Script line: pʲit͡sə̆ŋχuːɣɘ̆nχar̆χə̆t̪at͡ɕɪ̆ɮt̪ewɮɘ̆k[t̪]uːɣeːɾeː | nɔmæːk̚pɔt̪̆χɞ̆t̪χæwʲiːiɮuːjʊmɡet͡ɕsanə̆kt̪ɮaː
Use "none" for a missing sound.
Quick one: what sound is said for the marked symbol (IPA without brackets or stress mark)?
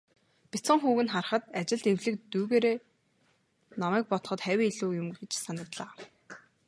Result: t̪